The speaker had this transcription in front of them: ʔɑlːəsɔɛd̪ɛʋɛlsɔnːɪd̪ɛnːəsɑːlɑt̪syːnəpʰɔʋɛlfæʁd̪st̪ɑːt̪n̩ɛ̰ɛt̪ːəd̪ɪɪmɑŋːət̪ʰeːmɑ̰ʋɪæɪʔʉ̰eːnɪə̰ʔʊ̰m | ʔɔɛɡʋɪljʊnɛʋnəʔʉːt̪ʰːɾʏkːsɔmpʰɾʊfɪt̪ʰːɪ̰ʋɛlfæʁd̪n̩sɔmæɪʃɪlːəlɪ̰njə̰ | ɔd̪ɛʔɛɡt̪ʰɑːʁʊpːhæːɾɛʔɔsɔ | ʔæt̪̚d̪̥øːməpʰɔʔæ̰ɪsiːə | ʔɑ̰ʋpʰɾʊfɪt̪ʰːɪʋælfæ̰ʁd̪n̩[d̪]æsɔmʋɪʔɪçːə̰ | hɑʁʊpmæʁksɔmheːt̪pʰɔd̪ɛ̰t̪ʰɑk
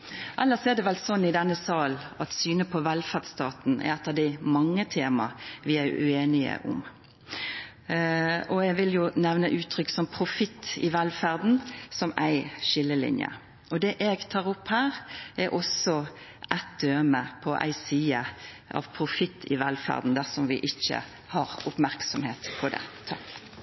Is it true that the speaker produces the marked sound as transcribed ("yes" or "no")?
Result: yes